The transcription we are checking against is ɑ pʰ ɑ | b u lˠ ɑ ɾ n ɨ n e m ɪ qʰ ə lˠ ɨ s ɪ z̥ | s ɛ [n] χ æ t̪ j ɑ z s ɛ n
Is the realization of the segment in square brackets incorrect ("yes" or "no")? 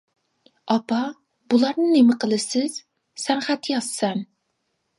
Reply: no